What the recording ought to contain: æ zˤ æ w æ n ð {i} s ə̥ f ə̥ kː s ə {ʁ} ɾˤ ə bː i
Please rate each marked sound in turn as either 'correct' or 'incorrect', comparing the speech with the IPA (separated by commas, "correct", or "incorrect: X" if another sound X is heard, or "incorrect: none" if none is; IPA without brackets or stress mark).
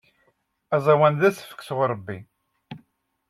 incorrect: æ, correct